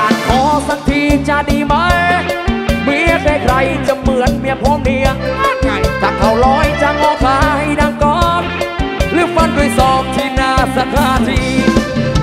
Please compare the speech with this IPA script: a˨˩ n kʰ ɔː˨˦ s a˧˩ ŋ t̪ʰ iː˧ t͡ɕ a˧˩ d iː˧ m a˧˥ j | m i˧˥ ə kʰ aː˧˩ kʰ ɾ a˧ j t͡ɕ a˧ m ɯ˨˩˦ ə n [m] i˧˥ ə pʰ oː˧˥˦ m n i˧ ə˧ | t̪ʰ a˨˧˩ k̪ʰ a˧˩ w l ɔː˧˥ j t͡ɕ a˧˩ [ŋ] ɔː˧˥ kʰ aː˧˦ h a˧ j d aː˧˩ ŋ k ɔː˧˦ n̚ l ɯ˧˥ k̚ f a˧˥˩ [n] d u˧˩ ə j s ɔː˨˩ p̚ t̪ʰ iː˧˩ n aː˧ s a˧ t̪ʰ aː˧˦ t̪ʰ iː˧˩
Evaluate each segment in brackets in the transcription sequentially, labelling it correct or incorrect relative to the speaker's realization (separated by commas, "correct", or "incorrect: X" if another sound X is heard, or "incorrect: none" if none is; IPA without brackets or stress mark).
correct, correct, correct